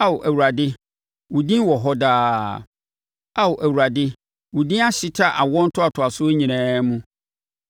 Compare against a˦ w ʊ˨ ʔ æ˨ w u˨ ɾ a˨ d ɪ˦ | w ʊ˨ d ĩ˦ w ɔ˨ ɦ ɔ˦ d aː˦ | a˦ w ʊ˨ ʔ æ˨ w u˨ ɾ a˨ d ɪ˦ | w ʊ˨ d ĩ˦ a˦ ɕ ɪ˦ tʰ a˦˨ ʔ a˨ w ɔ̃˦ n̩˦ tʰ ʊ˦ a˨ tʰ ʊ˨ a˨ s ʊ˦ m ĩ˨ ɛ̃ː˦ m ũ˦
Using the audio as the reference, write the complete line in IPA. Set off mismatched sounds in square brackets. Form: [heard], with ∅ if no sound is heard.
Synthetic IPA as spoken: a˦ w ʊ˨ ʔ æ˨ w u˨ ɾ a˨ d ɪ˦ | w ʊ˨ d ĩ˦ w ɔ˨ ɦ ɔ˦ d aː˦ | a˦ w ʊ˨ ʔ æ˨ w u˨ ɾ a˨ d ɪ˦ | w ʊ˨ d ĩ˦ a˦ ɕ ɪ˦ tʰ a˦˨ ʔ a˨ w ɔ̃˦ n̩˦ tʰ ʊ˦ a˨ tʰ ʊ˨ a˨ s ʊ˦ [ɲ] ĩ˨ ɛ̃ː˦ m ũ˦